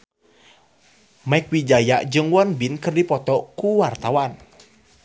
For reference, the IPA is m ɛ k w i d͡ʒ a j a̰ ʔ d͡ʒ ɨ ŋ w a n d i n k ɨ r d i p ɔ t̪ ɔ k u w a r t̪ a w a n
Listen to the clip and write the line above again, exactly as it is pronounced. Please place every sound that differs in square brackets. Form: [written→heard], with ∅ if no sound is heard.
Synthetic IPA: m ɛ k w i d͡ʒ a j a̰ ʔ d͡ʒ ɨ ŋ w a n [d→b] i n k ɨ r d i p ɔ t̪ ɔ k u w a r t̪ a w a n